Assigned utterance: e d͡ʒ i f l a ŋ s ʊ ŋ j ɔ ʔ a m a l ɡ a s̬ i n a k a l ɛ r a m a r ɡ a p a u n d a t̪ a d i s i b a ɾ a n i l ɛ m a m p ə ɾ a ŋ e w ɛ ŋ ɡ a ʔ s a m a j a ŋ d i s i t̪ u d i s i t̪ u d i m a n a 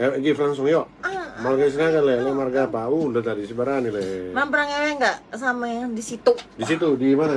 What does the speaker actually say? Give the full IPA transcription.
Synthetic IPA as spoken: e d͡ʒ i f l a ŋ s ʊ ŋ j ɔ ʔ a m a l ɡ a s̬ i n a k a l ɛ l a m a r ɡ a p a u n d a t̪ a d i s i b a ɾ a n i l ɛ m a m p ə ɾ a ŋ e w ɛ ŋ ɡ a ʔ s a m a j a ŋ d i s i t̪ u d i s i t̪ u d i m a n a